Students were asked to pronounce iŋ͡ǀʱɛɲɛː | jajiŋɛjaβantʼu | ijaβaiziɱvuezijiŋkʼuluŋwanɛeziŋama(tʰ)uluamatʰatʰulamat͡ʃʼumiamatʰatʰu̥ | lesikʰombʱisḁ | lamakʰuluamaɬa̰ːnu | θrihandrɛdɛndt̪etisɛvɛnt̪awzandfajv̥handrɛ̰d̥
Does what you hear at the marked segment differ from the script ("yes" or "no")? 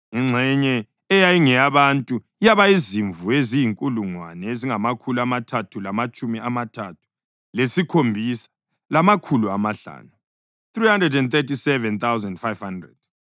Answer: yes